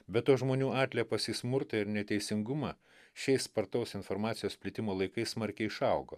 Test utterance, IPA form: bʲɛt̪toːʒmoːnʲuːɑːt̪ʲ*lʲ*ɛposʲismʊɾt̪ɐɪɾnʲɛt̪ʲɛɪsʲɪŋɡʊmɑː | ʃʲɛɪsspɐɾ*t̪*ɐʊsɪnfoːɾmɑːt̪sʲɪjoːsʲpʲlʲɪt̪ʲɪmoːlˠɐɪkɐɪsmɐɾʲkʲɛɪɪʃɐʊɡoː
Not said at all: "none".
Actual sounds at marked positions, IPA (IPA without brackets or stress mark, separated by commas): lʲ, t̪